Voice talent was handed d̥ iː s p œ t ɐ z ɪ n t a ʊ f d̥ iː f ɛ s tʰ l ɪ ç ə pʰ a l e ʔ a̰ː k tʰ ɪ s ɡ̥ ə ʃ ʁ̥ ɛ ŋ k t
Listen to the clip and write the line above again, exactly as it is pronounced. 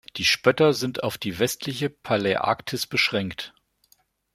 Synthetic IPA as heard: d̥ iː ʃ p œ t ɐ z ɪ n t a ʊ f d̥ iː v ɛ s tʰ l ɪ ç ə pʰ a l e ʔ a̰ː k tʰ ɪ s b̥ ə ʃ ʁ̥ ɛ ŋ k t